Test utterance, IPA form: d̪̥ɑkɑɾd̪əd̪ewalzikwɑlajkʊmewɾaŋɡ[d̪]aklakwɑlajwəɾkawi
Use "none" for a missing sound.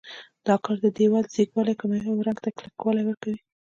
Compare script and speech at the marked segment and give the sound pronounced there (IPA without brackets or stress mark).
t̪